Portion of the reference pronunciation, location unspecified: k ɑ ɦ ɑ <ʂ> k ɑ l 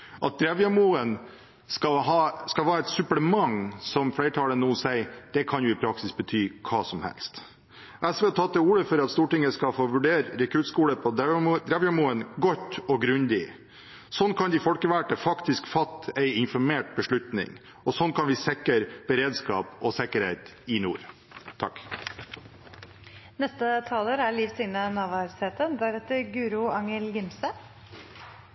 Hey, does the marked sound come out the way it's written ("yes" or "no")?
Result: no